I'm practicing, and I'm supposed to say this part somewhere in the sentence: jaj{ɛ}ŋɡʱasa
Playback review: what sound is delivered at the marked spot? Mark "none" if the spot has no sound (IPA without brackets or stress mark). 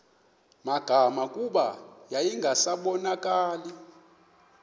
i